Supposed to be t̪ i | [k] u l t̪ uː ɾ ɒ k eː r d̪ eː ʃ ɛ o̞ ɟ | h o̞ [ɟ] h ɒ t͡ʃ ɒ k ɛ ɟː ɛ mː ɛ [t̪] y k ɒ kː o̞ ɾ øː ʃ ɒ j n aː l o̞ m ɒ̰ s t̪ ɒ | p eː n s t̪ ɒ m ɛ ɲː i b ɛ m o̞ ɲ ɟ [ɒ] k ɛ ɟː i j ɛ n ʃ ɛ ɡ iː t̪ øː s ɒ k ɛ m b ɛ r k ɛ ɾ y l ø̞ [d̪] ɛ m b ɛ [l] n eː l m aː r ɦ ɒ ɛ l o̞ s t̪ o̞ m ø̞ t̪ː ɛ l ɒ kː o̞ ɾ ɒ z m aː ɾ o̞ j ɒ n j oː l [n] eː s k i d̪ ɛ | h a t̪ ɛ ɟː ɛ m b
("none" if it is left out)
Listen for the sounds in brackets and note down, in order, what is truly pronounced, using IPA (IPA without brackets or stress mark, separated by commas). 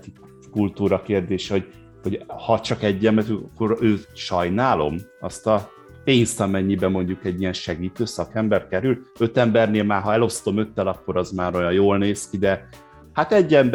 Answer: k, ɟ, t̪, u, t̪, r, n